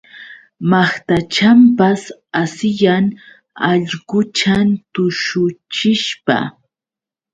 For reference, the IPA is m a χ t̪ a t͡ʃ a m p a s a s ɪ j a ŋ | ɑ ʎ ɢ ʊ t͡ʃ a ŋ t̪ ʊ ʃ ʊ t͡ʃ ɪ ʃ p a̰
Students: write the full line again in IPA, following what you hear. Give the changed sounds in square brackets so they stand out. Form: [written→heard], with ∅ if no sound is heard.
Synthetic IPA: m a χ t̪ a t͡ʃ a m p a s a s ɪ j a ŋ | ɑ ʎ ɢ ʊ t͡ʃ a [ŋ→n] t̪ ʊ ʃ ʊ t͡ʃ ɪ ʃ p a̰